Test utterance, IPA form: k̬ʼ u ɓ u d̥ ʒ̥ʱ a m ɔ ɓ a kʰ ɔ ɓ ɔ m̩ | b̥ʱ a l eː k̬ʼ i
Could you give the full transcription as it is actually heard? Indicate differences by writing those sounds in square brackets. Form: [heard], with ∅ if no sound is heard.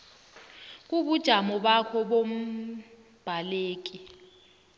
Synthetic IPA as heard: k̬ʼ u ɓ u d̥ ʒ̥ʱ a m ɔ ɓ a kʰ ɔ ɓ [o] m̩ | b̥ʱ a l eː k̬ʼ i